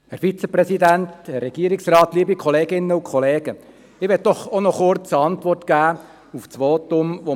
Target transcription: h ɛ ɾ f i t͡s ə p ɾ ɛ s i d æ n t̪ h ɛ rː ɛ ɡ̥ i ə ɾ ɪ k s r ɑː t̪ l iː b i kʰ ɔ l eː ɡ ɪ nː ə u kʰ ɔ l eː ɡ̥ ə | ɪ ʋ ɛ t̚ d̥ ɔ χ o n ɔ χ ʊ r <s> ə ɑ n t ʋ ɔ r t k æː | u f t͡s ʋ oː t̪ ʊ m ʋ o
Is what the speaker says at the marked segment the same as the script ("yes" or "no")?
no